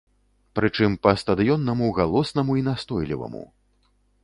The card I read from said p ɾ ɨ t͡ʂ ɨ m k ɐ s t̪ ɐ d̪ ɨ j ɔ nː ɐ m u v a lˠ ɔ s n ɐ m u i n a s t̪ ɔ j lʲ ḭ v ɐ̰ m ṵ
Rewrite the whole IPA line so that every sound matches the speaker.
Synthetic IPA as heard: p ɾ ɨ t͡ʂ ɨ m p ɐ s t̪ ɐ d̪ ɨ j ɔ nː ɐ m u ɣ a lˠ ɔ s n ɐ m u i n a s t̪ ɔ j lʲ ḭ v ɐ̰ m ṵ